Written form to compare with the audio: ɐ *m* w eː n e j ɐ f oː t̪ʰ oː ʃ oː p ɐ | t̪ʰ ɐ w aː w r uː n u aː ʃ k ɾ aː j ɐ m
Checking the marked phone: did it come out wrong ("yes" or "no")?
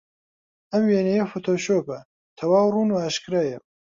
no